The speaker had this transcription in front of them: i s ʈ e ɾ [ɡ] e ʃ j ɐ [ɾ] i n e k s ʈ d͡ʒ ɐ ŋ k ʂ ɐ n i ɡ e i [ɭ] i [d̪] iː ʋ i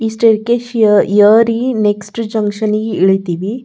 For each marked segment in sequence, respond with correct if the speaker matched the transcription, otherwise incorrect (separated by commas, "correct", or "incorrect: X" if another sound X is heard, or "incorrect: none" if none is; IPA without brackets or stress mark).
incorrect: k, correct, correct, incorrect: t̪